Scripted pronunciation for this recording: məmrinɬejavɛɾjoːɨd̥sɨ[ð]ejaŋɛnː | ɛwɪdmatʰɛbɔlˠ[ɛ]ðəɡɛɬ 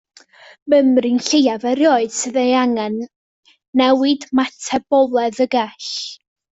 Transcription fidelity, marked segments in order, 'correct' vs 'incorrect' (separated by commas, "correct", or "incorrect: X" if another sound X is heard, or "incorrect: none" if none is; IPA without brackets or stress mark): correct, correct